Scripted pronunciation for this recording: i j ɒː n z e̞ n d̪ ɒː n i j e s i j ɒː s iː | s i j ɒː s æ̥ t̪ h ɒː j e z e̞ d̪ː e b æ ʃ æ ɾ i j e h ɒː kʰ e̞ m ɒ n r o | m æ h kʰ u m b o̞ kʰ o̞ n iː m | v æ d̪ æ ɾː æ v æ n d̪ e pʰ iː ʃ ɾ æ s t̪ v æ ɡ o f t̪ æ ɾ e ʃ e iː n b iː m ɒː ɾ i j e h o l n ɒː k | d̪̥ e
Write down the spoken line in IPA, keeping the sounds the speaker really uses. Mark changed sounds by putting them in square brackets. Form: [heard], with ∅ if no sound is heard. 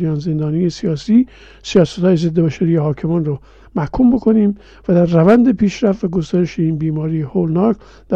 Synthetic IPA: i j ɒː n z e̞ n d̪ ɒː n i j e s i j ɒː s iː | s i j ɒː s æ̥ t̪ h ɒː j e z e̞ d̪ː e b æ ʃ æ ɾ i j e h ɒː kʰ e̞ m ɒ n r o | m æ h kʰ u m b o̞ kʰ o̞ n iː m | v æ d̪ æ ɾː æ v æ n d̪ e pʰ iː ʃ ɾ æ [f] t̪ v æ ɡ o [s] t̪ æ ɾ e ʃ e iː n b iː m ɒː ɾ i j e h o l n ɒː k | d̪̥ [æ]